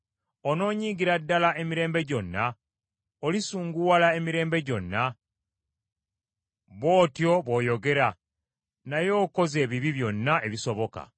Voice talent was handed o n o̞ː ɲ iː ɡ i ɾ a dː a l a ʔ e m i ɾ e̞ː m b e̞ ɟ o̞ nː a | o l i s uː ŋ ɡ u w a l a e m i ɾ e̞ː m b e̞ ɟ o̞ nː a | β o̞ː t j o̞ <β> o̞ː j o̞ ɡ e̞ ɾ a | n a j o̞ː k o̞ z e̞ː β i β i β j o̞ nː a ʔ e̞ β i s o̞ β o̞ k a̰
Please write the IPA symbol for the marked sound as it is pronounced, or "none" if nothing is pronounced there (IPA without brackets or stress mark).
β